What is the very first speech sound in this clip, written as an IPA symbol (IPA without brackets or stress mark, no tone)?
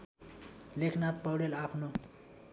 l